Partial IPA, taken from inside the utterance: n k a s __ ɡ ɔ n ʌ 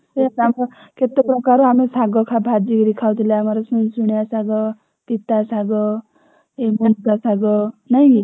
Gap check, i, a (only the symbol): a